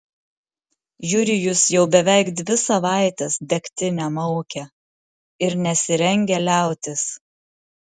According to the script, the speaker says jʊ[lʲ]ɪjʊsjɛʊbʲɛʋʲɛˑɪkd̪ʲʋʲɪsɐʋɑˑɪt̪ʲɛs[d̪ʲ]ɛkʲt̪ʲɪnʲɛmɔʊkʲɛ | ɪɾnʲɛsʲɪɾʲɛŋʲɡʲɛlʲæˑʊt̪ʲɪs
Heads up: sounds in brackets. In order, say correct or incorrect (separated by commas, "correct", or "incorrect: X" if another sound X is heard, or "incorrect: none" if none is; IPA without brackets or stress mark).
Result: incorrect: ɾʲ, correct